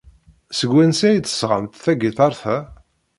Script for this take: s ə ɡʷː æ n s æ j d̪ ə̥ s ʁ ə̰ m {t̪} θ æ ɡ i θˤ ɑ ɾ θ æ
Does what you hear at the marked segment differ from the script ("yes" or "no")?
no